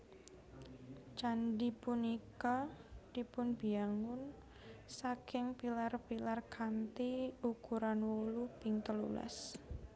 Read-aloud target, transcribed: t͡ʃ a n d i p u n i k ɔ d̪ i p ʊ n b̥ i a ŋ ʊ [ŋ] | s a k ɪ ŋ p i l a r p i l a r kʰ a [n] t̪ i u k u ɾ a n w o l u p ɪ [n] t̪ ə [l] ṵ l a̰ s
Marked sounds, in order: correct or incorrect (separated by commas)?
incorrect, correct, incorrect, correct